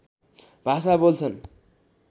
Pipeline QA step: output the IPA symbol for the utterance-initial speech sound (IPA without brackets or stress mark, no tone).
bʱ